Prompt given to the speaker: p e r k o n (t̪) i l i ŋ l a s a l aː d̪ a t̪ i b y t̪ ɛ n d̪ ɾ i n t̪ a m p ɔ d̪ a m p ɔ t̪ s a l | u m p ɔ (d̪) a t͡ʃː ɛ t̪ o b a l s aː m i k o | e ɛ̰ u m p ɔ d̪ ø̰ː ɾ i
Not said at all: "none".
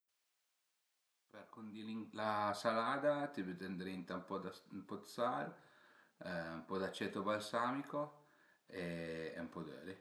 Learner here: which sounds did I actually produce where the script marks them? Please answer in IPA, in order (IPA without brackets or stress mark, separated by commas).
d̪, d̪